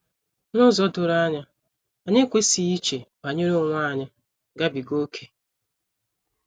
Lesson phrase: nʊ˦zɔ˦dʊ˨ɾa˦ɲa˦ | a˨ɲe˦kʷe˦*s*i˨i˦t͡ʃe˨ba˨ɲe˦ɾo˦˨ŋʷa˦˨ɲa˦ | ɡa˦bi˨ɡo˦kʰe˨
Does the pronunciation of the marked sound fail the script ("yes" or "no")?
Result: no